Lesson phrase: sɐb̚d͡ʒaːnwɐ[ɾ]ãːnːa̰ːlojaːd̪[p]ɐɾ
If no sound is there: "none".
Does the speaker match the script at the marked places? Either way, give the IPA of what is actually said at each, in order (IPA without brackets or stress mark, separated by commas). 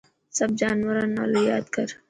ɾ, k